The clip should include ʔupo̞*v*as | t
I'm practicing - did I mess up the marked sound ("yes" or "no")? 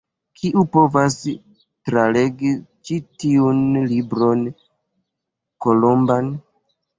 no